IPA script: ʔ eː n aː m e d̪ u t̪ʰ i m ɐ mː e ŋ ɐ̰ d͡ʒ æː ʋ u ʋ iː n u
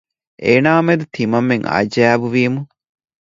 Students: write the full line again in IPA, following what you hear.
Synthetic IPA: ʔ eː n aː m e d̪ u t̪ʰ i m ɐ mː e ŋ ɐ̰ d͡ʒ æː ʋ u ʋ iː m u